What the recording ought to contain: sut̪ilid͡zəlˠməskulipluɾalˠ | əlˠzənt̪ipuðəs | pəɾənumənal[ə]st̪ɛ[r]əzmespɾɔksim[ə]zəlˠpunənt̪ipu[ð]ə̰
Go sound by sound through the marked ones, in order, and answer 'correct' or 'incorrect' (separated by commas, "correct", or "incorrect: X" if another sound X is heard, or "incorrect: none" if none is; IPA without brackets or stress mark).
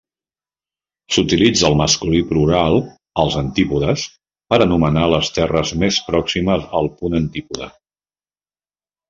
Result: correct, correct, correct, correct